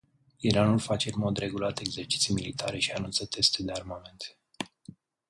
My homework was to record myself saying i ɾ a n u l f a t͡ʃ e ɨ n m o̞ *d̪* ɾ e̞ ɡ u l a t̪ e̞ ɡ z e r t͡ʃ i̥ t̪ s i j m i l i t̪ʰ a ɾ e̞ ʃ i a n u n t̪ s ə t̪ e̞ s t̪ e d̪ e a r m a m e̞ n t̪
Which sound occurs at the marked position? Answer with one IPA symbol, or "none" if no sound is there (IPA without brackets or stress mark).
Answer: d̪